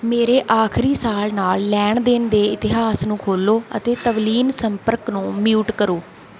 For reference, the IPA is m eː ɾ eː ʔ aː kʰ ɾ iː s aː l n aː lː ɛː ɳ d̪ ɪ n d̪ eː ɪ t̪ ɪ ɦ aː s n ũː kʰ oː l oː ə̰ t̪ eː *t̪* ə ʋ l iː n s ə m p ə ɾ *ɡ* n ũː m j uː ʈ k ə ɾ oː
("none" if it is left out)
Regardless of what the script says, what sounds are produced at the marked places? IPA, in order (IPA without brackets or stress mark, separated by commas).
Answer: t̪, k